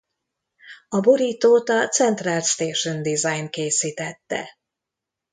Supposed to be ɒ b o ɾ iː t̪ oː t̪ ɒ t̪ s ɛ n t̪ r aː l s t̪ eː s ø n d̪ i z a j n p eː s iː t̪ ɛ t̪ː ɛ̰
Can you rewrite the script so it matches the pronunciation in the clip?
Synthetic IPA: ɒ b o ɾ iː t̪ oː t̪ ɒ t̪ s ɛ n t̪ r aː l s t̪ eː ʃ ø n d̪ i z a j n k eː s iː t̪ ɛ t̪ː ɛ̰